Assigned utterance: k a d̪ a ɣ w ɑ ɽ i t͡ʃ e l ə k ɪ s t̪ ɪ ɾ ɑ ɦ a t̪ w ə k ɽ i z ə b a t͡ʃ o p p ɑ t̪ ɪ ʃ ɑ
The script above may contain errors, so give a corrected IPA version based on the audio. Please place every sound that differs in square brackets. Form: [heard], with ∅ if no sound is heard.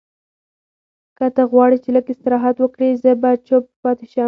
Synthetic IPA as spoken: k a [t̪] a ɣ w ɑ ɽ i t͡ʃ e l ə k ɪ s t̪ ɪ ɾ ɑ ɦ a t̪ w ə k ɽ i z ə b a t͡ʃ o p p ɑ t̪ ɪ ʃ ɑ